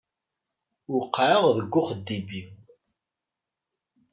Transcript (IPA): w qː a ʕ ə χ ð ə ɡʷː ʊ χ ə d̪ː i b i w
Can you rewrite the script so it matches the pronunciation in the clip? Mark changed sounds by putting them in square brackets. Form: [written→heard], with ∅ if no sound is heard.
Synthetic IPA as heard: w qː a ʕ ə [χ→ʁ] ð ə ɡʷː ʊ χ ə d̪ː i b i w